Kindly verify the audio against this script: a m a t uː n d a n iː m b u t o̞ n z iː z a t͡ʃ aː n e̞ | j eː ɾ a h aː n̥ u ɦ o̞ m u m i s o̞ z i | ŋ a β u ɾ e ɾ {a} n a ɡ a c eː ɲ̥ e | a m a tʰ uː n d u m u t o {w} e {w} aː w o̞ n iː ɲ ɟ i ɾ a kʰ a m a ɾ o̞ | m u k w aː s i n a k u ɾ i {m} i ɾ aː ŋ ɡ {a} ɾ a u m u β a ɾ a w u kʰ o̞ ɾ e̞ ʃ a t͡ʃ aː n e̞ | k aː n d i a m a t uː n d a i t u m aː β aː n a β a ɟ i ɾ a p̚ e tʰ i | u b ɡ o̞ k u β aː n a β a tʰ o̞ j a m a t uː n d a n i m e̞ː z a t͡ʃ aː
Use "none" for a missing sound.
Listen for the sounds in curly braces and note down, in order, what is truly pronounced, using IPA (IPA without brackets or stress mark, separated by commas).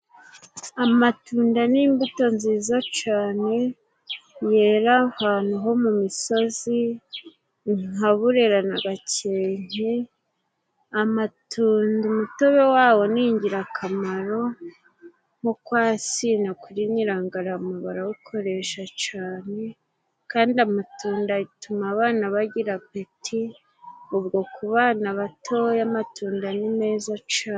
a, β, w, ɲ, a